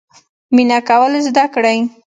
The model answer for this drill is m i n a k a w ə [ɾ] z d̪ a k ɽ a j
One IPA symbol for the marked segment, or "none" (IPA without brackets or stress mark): l